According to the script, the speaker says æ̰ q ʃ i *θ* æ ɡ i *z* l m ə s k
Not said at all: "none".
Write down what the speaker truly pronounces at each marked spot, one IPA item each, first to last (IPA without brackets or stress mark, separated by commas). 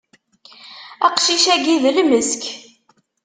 ʃ, ð